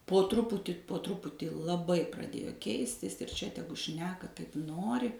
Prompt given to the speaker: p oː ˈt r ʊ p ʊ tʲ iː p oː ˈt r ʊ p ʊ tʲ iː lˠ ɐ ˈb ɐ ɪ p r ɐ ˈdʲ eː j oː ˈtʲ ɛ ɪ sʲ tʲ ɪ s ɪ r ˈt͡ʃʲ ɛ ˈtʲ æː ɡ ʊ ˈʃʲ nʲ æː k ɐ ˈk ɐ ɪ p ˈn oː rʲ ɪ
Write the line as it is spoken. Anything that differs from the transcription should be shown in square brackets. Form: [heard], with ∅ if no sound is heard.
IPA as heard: p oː ˈt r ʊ p ʊ tʲ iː p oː ˈt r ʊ p ʊ tʲ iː lˠ ɐ ˈb ɐ ɪ p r ɐ ˈdʲ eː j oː [ˈkʲ] ɛ ɪ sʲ tʲ ɪ s ɪ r ˈt͡ʃʲ ɛ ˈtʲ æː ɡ ʊ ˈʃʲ nʲ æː k ɐ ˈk ɐ ɪ p ˈn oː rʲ ɪ

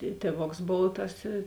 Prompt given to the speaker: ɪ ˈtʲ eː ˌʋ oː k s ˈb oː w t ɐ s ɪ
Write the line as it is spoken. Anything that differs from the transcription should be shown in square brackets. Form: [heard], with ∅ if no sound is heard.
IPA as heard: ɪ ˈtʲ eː ˌʋ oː k s ˈb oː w t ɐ s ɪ

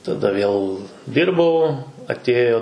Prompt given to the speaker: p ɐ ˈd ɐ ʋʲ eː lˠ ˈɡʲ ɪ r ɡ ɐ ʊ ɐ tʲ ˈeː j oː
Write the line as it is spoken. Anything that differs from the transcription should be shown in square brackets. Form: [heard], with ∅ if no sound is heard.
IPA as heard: [t] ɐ ˈd ɐ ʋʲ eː lˠ [ˈdʲ] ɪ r [b] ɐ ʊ ɐ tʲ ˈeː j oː

